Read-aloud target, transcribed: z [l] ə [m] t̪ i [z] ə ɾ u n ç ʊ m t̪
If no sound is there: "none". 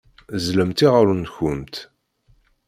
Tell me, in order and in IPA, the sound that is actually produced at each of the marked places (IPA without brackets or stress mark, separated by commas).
l, m, ʁ